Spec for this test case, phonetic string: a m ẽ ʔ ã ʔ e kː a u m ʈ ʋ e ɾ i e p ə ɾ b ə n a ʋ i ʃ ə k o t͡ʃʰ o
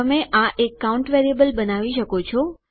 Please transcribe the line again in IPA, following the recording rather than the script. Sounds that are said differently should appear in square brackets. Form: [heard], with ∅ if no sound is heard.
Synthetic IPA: [ə] m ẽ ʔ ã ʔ e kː a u [ɳ] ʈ ʋ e ɾ i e [b] ə [l] b ə n a ʋ i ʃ ə k o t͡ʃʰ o